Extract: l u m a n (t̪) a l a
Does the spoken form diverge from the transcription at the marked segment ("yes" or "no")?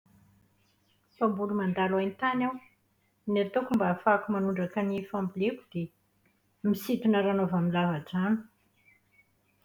yes